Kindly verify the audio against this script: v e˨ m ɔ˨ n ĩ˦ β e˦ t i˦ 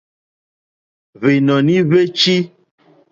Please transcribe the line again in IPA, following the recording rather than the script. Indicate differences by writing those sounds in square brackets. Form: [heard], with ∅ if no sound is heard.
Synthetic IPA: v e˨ [n] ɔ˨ n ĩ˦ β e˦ [t͡ʃ] i˦